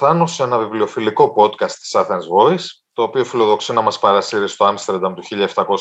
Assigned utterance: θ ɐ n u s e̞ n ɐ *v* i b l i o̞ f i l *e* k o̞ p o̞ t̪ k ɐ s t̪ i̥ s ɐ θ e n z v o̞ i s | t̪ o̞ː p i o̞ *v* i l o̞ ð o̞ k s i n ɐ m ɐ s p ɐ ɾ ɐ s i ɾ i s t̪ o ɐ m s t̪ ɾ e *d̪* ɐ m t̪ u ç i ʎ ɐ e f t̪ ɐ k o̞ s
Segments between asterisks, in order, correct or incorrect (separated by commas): correct, incorrect, incorrect, correct